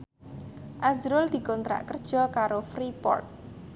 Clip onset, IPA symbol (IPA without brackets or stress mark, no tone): ʔ